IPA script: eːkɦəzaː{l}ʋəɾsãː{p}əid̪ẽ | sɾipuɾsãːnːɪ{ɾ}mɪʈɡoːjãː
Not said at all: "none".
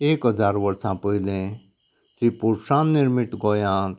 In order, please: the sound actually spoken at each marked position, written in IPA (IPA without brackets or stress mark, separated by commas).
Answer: ɾ, p, ɾ